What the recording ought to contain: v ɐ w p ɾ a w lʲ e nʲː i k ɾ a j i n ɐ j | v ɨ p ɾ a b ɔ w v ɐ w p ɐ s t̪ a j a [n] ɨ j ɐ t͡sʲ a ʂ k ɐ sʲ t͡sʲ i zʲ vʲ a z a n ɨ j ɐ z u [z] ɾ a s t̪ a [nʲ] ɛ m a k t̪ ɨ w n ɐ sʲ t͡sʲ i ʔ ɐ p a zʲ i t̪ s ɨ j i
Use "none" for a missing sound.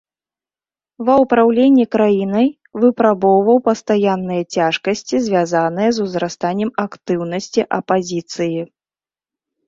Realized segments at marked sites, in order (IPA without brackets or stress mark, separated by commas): nː, z, nʲː